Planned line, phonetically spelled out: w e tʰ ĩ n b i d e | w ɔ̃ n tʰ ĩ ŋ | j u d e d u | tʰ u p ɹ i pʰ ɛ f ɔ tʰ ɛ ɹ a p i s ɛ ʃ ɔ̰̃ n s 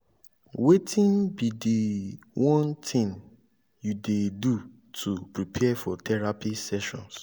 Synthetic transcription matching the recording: w e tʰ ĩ n b i d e | w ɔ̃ n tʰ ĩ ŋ | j u d e d u | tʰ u p ɹ i pʰ ɛ f ɔ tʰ ɛ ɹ a p i s ɛ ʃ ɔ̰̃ n s